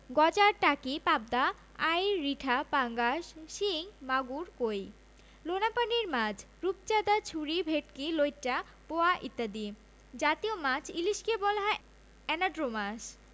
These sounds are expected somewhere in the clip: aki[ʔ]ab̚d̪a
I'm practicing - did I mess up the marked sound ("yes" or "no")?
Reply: yes